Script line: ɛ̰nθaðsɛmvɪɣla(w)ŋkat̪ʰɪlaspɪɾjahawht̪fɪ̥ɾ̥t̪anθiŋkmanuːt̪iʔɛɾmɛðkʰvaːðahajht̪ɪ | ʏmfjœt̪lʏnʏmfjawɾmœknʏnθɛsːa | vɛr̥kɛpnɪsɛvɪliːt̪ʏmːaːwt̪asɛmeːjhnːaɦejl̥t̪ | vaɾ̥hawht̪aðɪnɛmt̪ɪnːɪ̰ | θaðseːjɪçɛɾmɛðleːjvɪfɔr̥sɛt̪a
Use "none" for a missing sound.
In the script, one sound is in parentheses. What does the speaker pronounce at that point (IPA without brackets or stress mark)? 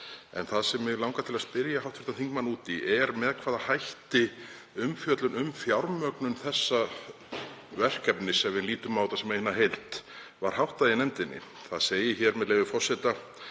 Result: w